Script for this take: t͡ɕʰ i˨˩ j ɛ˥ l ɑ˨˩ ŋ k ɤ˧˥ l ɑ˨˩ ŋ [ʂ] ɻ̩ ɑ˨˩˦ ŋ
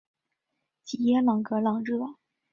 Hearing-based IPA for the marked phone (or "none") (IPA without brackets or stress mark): ʈ͡ʂ